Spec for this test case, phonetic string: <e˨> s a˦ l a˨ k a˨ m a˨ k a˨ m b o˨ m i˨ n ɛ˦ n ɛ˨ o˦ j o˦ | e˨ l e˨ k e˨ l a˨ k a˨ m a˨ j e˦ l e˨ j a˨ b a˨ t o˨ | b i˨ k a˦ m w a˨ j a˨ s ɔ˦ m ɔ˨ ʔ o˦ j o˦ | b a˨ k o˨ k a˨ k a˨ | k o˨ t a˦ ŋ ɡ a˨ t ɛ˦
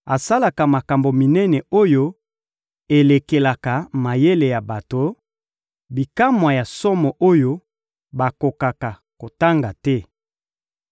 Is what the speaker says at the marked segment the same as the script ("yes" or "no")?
no